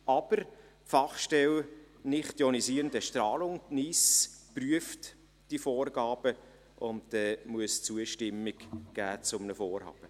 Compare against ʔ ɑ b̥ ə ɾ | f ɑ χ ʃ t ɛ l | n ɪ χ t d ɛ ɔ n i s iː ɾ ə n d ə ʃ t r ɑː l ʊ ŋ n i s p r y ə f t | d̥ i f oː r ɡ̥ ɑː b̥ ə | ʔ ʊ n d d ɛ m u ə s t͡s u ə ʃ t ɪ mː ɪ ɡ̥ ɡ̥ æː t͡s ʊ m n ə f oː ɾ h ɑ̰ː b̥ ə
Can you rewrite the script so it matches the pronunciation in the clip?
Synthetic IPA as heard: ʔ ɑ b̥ ə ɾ | f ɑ χ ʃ t ɛ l | n ɪ χ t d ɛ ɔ n i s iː ɾ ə n d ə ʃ t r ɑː l ʊ ŋ n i s p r y ə f t | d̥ i f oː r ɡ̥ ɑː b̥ ə | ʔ ʊ n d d ɛ m u ə s t͡s u ə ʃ t ɪ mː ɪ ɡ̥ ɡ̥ æː t͡s ʊ m n ə f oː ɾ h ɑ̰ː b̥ ə